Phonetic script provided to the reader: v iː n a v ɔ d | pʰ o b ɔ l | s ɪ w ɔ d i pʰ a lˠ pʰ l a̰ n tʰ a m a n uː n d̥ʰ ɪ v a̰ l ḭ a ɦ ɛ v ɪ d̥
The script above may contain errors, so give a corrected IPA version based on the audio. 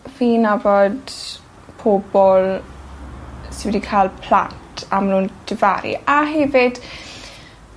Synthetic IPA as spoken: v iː n a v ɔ d | pʰ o b ɔ l | s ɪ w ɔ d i kʰ a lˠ pʰ l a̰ n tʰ a m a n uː n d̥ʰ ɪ v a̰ ɾ ḭ a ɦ ɛ v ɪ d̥